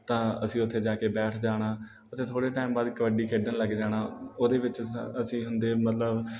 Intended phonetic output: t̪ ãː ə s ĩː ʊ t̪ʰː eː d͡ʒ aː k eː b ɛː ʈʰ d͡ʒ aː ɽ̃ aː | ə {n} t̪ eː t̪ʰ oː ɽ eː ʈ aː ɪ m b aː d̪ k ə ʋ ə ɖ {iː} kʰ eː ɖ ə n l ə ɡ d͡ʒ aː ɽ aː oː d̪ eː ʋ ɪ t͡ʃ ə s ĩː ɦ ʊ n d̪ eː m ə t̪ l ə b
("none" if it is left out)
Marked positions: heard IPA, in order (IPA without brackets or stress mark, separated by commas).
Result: none, iː